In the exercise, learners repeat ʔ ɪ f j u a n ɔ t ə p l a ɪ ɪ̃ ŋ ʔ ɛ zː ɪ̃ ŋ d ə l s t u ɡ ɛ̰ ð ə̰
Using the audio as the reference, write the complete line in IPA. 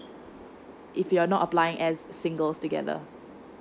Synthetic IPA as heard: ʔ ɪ f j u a n ɔ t ə p l a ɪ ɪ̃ ŋ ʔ ɛ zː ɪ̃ ŋ ɡ ə l s t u ɡ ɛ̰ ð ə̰